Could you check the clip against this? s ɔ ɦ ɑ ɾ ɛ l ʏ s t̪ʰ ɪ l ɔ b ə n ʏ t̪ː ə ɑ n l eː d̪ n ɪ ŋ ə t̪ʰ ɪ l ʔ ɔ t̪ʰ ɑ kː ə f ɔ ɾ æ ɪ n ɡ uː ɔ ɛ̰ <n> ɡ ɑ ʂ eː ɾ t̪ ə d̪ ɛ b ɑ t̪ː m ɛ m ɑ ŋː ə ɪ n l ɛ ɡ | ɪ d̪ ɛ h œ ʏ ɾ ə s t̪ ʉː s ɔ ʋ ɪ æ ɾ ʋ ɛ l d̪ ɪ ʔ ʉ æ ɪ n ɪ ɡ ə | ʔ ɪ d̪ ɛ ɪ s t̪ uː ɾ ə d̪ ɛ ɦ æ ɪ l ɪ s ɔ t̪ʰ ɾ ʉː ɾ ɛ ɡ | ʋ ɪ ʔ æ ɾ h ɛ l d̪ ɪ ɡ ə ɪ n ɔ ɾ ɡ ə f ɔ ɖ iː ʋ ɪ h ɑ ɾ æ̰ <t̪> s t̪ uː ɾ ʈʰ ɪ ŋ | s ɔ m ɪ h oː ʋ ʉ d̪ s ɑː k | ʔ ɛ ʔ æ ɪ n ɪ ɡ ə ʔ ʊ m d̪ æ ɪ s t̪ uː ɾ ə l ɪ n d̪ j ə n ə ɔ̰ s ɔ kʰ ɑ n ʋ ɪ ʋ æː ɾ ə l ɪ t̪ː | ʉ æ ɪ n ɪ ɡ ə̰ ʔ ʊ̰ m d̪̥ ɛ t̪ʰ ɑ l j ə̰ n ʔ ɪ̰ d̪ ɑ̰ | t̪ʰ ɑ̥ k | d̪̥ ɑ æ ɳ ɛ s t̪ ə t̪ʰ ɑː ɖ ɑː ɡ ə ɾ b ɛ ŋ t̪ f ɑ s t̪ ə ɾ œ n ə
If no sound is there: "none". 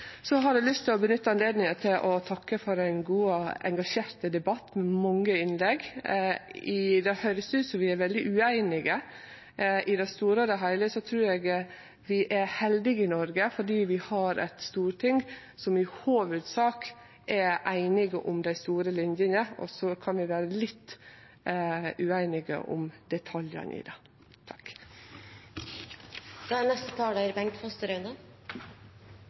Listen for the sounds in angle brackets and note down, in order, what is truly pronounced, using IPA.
ŋ, t̪

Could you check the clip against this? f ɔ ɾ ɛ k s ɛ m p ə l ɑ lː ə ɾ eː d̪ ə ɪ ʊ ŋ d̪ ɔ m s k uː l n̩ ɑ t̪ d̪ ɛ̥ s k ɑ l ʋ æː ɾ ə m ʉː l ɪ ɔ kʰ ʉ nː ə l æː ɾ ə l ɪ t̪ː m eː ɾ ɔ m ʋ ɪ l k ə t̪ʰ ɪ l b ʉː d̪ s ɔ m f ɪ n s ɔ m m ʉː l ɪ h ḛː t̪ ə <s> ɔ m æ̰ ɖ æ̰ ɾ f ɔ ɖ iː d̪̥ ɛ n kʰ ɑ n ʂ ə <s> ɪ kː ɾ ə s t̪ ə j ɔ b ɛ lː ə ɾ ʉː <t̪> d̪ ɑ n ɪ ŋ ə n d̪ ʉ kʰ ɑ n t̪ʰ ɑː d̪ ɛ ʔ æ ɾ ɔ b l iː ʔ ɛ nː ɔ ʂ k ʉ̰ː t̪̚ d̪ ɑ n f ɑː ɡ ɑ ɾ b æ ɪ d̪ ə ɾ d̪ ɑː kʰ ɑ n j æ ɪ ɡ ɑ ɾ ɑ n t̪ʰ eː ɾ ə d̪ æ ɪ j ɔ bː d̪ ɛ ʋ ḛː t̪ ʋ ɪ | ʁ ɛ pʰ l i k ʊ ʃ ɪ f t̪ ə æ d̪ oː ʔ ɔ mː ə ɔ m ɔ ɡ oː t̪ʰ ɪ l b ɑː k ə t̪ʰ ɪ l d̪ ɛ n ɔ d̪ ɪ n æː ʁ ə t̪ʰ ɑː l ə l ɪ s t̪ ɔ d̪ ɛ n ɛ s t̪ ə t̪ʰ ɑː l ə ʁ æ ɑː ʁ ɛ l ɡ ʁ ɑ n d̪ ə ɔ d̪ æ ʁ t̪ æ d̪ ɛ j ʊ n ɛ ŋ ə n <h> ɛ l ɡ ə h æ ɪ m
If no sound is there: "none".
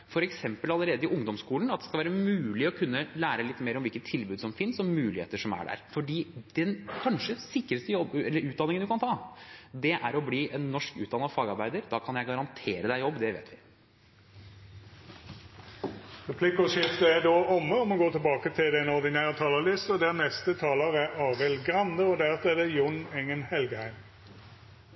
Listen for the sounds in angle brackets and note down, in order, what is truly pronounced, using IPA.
ʂ, s, t̪, h

